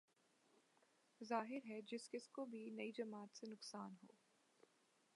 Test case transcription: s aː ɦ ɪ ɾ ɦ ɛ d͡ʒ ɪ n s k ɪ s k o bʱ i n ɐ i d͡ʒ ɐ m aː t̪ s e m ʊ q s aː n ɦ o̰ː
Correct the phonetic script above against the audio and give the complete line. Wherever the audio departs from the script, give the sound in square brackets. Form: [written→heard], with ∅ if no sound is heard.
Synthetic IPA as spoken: [s→z] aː ɦ ɪ ɾ ɦ ɛ d͡ʒ ɪ [n→∅] s k ɪ s k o bʱ i n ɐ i d͡ʒ ɐ m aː t̪ s e [m→n] ʊ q s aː n ɦ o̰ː